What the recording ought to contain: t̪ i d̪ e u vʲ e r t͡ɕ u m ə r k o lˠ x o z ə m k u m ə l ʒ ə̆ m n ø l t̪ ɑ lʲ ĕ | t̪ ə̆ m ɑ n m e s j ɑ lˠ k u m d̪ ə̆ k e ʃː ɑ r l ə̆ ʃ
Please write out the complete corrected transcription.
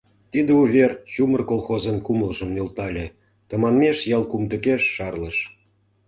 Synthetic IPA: t̪ i d̪ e u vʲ e r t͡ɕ u m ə r k o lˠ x o z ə n k u m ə l ʒ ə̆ m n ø l t̪ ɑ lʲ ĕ | t̪ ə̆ m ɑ n m e ʃ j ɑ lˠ k u m d̪ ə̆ k e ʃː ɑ r l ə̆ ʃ